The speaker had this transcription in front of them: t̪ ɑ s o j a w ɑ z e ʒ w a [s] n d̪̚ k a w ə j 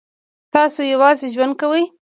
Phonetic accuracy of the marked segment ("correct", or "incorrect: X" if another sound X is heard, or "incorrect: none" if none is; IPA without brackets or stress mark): incorrect: none